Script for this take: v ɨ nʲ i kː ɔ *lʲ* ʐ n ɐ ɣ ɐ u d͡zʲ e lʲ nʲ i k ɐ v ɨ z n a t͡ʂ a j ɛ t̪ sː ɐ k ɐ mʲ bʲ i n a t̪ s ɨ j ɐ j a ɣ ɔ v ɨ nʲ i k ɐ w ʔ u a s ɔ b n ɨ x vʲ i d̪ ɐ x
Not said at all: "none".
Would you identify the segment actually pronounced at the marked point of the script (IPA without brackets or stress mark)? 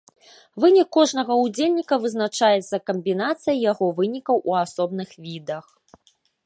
none